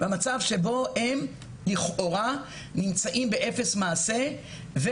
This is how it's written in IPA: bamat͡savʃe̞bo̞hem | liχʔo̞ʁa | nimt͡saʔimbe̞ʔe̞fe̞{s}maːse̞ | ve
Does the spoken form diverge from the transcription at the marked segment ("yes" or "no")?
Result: no